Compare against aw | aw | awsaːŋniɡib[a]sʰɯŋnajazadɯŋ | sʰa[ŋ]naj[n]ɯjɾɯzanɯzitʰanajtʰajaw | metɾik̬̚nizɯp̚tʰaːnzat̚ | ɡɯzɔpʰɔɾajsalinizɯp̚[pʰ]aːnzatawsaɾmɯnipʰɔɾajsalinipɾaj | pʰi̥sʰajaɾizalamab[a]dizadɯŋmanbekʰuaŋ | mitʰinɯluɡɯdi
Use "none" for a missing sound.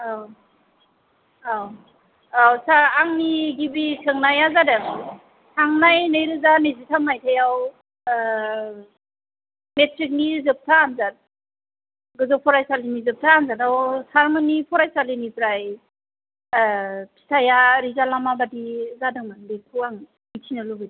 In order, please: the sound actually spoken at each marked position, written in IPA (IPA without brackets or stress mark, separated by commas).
i, ŋ, n, tʰ, a